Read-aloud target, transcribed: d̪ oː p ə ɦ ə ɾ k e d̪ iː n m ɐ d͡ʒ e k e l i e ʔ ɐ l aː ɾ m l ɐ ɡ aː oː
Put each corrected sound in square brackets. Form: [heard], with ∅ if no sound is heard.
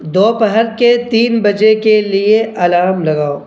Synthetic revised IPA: d̪ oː p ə ɦ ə ɾ k e [t̪] iː n [b] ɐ d͡ʒ e k e l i e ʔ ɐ l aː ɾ m l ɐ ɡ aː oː